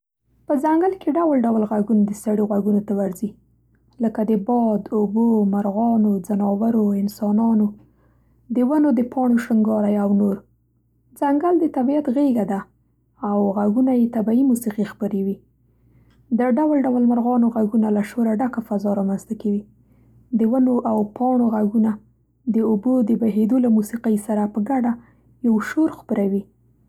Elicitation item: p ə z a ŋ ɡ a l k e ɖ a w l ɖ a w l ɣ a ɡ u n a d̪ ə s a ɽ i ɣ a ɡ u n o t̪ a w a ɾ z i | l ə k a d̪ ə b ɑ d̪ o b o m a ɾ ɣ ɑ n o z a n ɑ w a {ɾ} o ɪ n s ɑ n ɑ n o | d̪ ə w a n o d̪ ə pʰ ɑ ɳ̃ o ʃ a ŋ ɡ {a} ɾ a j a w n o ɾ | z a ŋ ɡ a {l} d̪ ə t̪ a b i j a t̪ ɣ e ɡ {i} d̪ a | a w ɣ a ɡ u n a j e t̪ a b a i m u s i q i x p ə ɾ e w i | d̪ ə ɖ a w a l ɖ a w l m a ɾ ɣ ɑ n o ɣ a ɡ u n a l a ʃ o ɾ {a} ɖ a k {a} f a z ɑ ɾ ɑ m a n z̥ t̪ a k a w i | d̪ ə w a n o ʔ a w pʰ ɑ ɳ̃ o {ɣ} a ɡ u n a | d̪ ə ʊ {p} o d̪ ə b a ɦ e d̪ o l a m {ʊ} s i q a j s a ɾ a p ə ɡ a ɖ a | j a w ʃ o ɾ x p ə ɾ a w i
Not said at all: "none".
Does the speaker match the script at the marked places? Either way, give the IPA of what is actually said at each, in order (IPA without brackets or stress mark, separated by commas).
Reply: ɾ, ɑ, l, a, a, a, ɣ, b, u